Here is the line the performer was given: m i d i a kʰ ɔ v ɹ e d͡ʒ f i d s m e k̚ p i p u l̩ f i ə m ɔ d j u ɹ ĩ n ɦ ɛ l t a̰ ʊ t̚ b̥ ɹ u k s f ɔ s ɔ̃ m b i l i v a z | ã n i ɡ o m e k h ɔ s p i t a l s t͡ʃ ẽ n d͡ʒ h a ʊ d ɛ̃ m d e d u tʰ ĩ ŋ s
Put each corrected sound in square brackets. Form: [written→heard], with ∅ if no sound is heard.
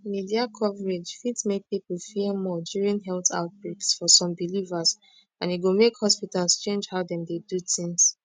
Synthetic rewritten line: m i d i a kʰ ɔ v ɹ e d͡ʒ f i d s m e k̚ p i p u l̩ f i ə m ɔ d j u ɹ ĩ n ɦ ɛ l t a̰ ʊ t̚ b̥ ɹ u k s f ɔ s ɔ̃ m b i l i v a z | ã n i ɡ o m e k h ɔ s p i t a l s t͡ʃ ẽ n d͡ʒ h a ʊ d ɛ̃ m d e d u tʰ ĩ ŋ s